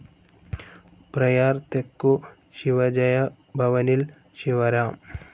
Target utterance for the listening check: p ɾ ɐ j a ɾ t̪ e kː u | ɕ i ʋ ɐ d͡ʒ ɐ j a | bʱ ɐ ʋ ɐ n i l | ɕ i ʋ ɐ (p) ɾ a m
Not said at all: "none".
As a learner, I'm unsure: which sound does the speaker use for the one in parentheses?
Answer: none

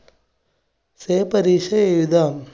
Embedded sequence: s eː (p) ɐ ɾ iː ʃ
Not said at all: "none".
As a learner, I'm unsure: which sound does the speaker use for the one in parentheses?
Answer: p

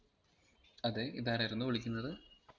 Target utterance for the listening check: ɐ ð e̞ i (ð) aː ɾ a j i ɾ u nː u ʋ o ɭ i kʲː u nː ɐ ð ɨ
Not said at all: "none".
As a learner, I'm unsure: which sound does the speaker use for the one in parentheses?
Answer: ð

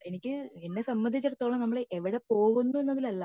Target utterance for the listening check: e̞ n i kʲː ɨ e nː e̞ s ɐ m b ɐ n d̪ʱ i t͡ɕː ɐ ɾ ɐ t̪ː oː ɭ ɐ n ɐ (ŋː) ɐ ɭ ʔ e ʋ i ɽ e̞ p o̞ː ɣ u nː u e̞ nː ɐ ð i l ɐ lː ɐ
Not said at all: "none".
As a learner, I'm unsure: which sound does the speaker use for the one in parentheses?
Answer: mː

